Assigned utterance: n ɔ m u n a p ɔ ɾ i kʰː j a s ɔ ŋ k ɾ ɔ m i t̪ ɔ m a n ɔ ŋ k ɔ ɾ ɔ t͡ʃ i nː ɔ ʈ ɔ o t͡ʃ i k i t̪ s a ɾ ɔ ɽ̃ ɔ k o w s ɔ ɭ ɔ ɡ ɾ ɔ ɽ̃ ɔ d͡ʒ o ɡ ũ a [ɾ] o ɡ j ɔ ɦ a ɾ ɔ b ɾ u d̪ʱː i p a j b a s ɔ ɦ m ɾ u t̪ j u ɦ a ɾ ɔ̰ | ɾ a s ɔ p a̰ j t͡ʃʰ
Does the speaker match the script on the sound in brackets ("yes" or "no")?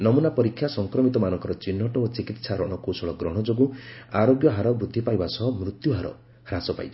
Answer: yes